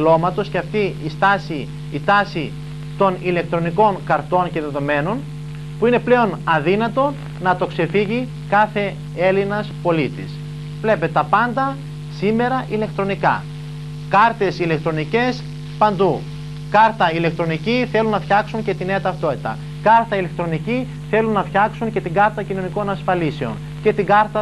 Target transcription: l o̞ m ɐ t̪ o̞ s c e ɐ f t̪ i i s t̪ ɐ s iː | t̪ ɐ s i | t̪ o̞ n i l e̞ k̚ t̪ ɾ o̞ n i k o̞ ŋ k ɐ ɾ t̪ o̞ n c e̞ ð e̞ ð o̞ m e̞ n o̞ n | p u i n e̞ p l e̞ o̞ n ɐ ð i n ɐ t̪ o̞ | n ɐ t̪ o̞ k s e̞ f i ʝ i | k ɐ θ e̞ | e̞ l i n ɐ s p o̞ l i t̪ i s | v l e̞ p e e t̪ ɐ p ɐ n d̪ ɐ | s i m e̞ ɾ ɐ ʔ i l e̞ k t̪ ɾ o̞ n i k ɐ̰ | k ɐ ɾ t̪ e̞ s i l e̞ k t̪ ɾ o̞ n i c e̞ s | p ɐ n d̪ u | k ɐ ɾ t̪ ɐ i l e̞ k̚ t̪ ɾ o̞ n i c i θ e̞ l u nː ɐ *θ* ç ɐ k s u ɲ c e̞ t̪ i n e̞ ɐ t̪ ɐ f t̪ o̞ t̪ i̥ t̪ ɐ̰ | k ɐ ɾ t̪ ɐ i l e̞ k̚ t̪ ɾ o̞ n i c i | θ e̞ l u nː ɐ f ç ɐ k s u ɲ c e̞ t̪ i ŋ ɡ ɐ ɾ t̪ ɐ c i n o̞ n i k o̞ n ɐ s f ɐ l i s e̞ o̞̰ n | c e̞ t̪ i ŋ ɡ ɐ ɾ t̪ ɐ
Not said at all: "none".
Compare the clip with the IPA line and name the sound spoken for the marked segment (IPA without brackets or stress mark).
f